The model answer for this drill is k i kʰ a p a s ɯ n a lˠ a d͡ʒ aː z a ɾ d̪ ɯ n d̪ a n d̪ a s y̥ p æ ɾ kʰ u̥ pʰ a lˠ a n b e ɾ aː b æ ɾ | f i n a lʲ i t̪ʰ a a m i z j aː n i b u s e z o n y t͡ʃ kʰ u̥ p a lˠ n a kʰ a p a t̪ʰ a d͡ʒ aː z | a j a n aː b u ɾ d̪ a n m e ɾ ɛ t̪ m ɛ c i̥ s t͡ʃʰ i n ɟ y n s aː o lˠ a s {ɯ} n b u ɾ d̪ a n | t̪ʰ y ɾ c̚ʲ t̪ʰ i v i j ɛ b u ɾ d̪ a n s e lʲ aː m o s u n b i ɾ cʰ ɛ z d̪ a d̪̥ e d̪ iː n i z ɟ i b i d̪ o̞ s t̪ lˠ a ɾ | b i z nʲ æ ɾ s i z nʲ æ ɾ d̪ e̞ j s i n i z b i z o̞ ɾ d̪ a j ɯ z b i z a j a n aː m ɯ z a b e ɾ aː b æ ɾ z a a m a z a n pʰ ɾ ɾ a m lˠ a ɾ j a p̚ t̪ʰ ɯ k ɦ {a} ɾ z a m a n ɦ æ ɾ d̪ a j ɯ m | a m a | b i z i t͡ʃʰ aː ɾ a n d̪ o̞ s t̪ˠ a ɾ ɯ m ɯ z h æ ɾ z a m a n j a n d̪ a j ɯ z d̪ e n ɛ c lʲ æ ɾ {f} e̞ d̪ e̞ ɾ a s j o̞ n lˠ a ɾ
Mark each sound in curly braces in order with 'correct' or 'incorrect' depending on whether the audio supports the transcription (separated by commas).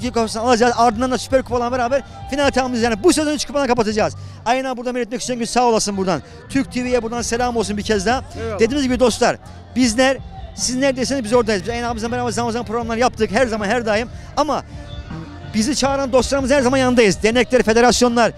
correct, incorrect, correct